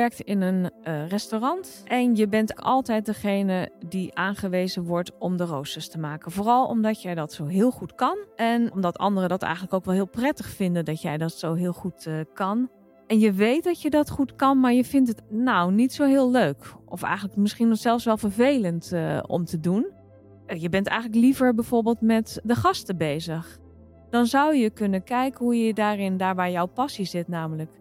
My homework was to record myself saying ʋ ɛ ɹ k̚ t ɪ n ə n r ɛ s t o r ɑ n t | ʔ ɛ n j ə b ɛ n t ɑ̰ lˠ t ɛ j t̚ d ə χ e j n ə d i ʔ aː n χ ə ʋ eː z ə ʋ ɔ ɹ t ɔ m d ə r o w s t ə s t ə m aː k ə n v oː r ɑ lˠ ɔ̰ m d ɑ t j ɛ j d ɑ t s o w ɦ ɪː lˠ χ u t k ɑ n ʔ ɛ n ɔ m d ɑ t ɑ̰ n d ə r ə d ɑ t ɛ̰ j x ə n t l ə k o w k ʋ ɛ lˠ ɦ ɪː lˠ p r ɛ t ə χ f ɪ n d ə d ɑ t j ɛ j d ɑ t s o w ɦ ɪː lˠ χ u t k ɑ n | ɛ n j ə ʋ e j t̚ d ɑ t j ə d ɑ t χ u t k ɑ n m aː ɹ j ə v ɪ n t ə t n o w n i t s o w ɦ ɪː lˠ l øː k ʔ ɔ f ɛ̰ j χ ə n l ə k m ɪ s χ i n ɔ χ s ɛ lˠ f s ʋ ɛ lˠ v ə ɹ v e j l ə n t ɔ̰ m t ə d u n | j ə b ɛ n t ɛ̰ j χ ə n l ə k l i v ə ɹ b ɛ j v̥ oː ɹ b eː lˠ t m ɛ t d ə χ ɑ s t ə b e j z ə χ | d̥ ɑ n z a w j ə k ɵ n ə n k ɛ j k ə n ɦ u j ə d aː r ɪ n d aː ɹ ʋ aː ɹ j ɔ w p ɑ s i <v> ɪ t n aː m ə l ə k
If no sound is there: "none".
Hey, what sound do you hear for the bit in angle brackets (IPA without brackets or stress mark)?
z